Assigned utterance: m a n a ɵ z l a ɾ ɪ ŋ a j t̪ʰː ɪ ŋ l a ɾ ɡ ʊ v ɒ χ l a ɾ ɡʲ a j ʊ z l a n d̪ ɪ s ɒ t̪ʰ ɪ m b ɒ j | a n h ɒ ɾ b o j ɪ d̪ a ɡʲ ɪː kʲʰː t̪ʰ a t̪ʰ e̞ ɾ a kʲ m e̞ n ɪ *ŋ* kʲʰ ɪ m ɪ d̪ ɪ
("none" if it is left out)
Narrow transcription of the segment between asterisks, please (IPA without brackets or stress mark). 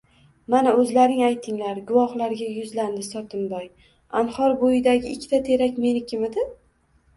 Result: none